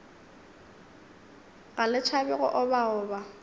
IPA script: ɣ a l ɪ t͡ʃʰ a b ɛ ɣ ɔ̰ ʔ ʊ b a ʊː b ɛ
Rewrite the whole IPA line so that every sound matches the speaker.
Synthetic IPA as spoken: ɣ a l ɪ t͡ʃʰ a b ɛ ɣ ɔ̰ ʔ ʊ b a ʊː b a